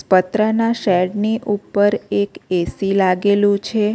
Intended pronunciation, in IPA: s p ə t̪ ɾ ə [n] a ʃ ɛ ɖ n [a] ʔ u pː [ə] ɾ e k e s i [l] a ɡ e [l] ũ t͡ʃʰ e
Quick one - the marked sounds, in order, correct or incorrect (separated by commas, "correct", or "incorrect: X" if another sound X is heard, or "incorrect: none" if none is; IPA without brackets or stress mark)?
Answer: correct, incorrect: i, correct, correct, correct